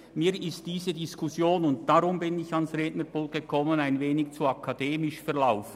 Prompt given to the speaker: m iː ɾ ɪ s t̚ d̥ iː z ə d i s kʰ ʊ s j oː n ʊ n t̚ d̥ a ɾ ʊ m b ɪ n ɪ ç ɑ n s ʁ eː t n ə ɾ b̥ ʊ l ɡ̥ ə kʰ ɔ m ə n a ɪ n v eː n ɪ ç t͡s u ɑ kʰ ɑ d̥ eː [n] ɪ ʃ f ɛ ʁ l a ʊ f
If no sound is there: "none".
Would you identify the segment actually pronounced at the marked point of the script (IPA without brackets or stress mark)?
m